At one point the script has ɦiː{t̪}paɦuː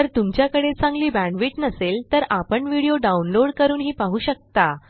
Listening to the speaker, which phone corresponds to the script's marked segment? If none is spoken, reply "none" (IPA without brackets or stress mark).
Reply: none